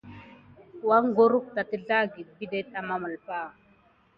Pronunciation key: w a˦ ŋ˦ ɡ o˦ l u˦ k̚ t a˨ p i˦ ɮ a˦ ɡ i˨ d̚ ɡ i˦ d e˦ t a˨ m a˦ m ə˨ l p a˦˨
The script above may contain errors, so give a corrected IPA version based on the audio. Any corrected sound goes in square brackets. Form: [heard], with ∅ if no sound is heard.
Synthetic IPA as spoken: w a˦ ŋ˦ ɡ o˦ [ɾ] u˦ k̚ t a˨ [t] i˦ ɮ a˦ ɡ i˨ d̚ [b] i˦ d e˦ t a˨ m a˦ m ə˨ l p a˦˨